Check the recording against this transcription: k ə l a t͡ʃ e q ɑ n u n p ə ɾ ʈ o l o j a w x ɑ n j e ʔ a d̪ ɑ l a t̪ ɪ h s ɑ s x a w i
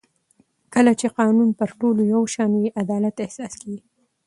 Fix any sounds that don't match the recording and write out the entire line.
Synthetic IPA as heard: k ə l a t͡ʃ e q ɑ n u n p ə ɾ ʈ o l o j a w ʃ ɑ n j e ʔ a d̪ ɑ l a t̪ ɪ h s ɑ s k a w i